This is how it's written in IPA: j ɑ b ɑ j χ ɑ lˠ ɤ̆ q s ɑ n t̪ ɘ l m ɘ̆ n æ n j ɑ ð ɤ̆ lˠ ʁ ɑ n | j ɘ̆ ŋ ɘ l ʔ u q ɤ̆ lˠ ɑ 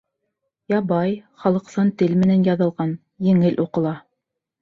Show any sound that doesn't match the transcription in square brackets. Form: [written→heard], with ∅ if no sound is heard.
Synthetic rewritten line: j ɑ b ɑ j χ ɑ lˠ ɤ̆ q s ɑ n t̪ ɘ l m ɘ̆ n æ n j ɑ ð ɤ̆ lˠ ʁ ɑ n | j ɘ̆ ŋ ɘ l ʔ u q ɤ̆ lˠ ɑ